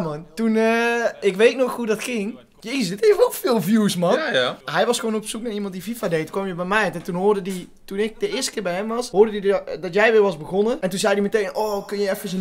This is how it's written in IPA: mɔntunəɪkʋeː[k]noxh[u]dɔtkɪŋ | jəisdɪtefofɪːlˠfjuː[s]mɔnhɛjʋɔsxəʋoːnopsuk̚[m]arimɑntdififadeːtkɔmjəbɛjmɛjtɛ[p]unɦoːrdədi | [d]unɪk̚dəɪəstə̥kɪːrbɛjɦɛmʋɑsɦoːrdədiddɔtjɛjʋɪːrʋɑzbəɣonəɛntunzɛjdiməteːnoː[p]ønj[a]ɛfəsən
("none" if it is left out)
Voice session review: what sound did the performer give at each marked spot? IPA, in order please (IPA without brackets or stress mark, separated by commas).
t, u, s, n, t, t, k, ə